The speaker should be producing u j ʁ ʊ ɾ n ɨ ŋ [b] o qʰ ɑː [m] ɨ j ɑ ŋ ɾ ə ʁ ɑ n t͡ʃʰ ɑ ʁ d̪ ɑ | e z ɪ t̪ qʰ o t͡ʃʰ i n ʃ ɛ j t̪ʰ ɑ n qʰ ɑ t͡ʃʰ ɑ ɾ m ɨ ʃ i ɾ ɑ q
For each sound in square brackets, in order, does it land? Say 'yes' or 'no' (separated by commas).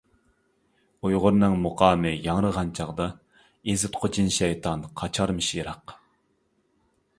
no, yes